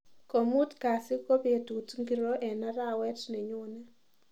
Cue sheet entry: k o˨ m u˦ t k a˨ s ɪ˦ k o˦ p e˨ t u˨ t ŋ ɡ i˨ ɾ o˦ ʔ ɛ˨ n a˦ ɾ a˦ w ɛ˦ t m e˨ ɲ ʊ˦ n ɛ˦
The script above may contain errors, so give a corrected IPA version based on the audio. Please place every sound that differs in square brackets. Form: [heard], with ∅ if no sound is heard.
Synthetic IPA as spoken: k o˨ m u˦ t k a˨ s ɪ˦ k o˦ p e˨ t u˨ t ŋ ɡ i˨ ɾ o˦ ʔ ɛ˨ n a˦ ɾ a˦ w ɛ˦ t [n] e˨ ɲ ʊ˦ n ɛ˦